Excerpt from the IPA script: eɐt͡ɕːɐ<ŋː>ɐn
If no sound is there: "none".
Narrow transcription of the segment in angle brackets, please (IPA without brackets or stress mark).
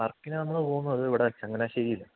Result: ŋː